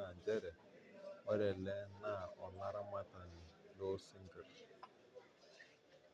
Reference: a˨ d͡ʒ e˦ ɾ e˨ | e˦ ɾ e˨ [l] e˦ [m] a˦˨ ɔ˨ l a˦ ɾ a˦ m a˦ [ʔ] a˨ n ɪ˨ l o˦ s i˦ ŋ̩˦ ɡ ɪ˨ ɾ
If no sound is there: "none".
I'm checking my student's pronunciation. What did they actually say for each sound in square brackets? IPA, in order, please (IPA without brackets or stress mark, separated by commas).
l, n, t